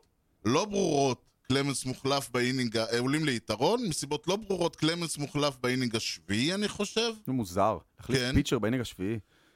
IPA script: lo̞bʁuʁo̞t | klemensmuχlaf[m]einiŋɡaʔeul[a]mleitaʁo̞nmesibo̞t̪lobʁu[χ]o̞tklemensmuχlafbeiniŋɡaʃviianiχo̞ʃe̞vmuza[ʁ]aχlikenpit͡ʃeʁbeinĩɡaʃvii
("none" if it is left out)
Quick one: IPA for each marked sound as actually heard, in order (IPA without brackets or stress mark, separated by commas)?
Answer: b, i, ʁ, ʁ